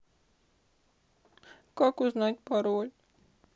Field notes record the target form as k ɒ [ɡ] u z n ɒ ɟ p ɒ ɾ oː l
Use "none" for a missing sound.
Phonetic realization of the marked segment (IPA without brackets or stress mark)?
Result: k